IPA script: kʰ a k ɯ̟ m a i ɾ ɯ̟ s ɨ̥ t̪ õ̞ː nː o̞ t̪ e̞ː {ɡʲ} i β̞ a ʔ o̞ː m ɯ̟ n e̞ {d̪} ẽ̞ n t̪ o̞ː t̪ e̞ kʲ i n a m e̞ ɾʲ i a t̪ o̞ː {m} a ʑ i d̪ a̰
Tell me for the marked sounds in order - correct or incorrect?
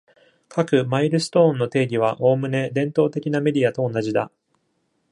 correct, correct, incorrect: n

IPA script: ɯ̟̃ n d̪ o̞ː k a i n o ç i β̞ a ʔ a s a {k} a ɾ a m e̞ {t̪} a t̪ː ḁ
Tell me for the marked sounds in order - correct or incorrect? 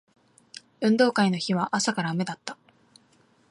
correct, incorrect: d̪

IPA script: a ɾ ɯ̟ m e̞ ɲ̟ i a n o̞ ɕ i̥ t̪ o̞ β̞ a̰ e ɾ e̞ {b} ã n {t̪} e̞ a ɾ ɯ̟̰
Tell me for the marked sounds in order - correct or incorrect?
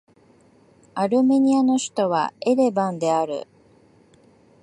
correct, incorrect: d̪

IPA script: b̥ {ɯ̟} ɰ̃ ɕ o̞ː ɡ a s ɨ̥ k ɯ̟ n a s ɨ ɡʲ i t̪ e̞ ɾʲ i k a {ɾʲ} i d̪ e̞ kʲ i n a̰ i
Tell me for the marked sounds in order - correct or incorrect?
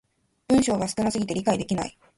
incorrect: ɯ̟̃, incorrect: none

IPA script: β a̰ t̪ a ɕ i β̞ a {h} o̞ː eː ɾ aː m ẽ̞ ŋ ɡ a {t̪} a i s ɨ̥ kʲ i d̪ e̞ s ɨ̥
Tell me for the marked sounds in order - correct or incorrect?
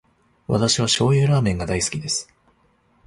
incorrect: ɕ, incorrect: d̪

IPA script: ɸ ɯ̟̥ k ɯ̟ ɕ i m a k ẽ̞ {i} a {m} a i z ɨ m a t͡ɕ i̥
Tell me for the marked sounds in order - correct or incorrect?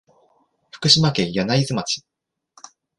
incorrect: j, incorrect: n

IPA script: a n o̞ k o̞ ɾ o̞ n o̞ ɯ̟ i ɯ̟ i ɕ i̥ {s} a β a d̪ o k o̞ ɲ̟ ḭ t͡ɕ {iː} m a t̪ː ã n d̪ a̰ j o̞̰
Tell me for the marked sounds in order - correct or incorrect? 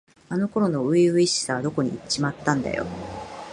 correct, incorrect: i

